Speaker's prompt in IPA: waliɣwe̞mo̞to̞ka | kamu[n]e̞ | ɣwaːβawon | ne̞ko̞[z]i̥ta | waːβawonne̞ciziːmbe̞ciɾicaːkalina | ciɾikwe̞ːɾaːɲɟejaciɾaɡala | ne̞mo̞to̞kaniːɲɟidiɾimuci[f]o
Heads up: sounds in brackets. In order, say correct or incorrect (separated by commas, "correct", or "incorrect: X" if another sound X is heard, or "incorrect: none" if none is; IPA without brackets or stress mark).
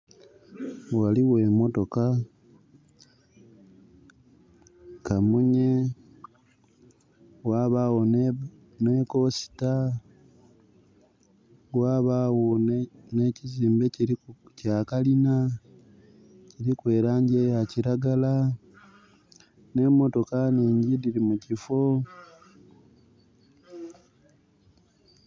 incorrect: ɲ, incorrect: s, correct